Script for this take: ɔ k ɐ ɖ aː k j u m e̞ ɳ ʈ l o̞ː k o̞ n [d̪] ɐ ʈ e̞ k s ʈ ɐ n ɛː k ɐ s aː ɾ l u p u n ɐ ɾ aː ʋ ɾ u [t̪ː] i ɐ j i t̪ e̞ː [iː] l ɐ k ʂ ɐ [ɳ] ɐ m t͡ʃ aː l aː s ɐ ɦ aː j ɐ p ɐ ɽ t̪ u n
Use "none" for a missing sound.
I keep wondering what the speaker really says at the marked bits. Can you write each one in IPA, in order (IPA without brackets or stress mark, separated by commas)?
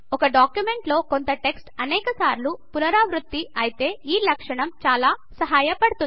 t̪, t̪ː, iː, ɳ